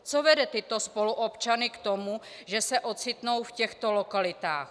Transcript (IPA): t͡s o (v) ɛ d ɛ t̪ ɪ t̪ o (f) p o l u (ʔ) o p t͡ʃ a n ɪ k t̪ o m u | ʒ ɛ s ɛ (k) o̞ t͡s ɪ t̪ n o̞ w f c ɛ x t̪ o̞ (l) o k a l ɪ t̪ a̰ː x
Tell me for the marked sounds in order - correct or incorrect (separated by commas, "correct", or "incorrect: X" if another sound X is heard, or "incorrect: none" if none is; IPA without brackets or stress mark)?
correct, incorrect: s, correct, incorrect: ʔ, correct